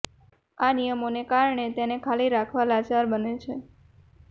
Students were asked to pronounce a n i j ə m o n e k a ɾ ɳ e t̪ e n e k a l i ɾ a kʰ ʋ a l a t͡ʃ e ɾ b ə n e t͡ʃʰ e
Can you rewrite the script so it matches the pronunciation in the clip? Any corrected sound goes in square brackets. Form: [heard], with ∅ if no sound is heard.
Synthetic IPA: a n i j ə m o n e k a ɾ ɳ e t̪ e n e [kʰ] a l i ɾ a kʰ ʋ a l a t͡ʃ [a] ɾ b ə n e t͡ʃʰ e